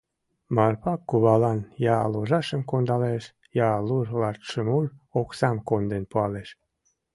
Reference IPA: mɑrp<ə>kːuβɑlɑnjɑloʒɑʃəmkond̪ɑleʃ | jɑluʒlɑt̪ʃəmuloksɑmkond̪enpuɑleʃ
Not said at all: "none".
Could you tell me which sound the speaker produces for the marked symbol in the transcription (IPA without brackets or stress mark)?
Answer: ɑ